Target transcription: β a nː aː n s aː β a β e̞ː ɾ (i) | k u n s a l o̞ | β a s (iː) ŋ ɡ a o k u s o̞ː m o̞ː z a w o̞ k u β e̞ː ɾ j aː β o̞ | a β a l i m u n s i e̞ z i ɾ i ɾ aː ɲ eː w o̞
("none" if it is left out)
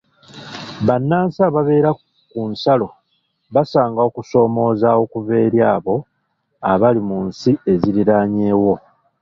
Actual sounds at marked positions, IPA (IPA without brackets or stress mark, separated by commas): a, aː